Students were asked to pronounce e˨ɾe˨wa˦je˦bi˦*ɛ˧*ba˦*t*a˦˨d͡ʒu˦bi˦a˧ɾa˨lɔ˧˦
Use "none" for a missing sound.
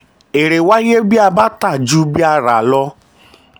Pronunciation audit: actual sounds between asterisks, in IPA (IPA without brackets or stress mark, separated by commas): a˧, t